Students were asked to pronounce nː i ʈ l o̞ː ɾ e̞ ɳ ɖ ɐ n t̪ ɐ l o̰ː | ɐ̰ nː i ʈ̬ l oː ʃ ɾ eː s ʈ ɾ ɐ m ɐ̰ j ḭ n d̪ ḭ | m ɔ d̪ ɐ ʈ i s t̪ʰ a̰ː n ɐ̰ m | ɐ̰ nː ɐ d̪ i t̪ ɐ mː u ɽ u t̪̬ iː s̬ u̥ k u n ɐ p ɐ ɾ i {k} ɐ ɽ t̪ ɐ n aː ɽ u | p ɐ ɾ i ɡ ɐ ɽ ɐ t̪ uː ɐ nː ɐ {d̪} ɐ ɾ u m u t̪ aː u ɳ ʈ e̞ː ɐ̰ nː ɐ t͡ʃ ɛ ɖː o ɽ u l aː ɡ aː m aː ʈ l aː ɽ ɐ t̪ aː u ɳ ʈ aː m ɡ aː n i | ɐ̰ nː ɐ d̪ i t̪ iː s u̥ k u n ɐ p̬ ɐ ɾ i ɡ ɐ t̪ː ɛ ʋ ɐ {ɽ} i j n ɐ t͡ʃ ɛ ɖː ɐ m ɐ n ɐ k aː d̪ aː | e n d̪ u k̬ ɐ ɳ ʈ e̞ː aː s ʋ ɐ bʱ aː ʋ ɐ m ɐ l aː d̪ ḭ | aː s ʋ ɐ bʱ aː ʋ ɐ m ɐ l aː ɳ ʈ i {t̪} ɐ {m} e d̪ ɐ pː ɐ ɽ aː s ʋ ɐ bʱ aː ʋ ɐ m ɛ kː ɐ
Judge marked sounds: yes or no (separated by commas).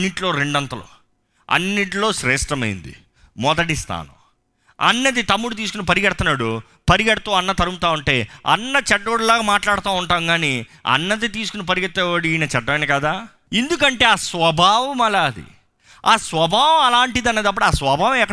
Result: no, no, yes, no, no